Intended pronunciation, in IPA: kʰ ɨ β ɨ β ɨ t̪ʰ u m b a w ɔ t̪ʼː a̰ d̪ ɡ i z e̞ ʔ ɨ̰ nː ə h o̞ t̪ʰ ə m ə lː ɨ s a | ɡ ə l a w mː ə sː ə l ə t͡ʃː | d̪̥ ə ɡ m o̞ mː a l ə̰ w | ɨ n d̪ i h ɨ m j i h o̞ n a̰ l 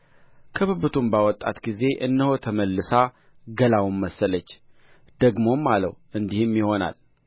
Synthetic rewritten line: kʰ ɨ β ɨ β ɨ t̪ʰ u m b a w ɔ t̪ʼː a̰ t̪ ɡ i z e̞ ʔ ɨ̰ nː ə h o̞ t̪ʰ ə m ə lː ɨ s a | ɡ ə l a w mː ə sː ə l ə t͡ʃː | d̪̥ ə ɡ m o̞ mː a l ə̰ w | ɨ n d̪ i h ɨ m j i h o̞ n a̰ l